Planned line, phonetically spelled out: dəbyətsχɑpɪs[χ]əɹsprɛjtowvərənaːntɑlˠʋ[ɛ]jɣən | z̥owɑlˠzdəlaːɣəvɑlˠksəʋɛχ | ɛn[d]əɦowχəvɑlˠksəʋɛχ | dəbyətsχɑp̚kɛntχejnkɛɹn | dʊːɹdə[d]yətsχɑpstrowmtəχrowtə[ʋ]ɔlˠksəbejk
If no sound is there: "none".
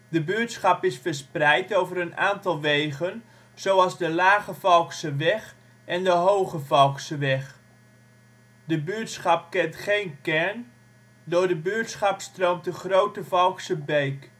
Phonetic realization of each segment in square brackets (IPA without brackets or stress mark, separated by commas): f, e, d, b, v